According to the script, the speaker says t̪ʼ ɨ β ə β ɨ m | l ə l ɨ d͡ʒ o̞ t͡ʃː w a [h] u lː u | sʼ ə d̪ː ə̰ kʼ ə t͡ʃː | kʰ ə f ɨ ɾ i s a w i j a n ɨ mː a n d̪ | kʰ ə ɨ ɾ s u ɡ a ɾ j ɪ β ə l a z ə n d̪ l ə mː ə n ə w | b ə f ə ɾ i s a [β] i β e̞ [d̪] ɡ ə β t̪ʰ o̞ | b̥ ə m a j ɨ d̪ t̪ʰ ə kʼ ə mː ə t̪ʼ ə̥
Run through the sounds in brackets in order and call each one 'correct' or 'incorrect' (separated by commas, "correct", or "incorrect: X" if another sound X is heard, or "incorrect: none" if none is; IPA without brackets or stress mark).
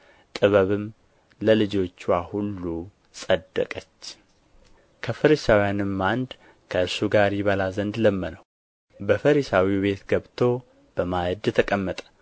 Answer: correct, incorrect: w, incorrect: t̪